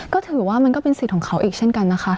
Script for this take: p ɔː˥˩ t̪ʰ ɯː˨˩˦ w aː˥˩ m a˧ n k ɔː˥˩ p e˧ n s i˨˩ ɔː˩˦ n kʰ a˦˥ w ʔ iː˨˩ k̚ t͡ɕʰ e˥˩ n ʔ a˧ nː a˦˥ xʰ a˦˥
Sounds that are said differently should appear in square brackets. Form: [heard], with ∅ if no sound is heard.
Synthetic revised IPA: [k] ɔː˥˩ t̪ʰ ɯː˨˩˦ w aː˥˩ m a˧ n k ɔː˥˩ p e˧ n s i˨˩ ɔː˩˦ [ŋ] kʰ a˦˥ w ʔ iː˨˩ k̚ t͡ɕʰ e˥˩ n [k] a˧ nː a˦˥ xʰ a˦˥